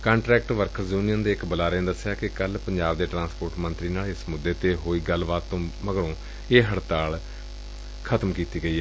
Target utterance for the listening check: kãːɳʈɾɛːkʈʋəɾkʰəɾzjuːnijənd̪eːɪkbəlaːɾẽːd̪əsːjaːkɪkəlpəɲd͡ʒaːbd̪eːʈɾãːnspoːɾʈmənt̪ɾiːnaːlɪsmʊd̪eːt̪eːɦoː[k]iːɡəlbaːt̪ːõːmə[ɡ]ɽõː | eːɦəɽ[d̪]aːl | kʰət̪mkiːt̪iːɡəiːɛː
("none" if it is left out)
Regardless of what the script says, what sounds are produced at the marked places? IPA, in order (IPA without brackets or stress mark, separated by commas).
none, ɡ, t̪